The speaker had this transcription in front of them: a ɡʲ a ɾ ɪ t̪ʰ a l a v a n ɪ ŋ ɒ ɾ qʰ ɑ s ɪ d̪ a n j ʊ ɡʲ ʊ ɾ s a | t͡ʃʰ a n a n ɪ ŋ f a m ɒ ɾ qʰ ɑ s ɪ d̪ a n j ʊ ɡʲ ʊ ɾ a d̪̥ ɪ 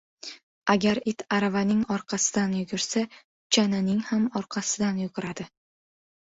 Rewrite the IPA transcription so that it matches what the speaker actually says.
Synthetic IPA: a ɡʲ a ɾ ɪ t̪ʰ a ɾ a v a n ɪ ŋ ɒ ɾ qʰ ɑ s ɪ d̪ a n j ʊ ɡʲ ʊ ɾ s a | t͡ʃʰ a n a n ɪ ŋ h a m ɒ ɾ qʰ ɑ s ɪ d̪ a n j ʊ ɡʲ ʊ ɾ a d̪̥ ɪ